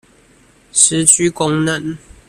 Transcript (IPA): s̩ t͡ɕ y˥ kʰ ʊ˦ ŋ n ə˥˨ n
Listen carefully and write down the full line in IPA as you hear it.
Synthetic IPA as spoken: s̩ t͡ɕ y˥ k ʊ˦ ŋ n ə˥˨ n